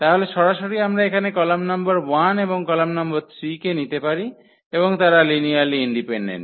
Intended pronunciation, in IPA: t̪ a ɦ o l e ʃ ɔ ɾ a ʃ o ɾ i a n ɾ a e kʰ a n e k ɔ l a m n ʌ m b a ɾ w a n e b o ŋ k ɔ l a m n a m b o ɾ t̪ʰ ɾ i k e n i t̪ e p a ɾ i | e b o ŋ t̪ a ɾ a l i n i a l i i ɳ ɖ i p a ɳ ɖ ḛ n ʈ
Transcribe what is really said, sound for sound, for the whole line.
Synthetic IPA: t̪ a ɦ o l e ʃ ɔ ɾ a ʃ o ɾ i a m ɾ a e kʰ a n e k ɔ l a m n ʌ m b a ɾ w a n e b o ŋ k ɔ l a m n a m b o ɾ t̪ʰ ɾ i k e n i t̪ e p a ɾ i | e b o ŋ t̪ a ɾ a l i n i a l i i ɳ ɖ i p e ɳ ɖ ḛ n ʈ

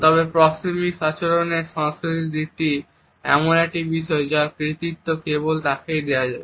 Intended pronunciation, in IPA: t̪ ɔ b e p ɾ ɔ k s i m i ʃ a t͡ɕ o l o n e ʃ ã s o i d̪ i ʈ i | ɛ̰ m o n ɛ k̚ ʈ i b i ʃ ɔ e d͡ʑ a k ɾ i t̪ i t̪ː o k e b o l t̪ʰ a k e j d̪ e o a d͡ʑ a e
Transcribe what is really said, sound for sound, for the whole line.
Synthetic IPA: t̪ ɔ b e p ɾ ɔ k s i m i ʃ a t͡ɕ o ɾ o n e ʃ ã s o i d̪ i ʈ i | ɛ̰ m o n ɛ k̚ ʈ i b i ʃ ɔ e d͡ʑ a k ɾ i t̪ i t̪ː o k e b o l t̪ a k e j d̪ e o a d͡ʑ a e

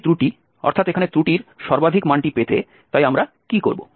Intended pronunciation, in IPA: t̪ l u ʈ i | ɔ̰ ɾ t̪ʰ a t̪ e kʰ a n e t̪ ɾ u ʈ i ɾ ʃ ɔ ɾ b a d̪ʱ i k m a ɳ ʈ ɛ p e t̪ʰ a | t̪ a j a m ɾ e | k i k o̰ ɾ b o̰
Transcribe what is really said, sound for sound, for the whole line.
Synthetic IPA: t̪ ɾ u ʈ i | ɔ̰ ɾ t̪ʰ a t̪ e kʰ a n e t̪ ɾ u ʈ i ɾ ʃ ɔ ɾ b a d̪ʱ i k m a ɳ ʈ i p e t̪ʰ e | t̪ a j a m ɾ a | k i k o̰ ɾ b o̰

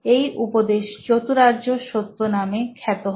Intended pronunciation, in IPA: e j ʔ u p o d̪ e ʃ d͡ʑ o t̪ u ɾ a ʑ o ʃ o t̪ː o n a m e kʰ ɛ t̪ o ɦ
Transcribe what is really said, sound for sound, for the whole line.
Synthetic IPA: e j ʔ u p o d̪ e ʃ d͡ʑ o t̪ u ɾ a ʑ o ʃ o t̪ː o n a m e kʰ ɛ t̪ o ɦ

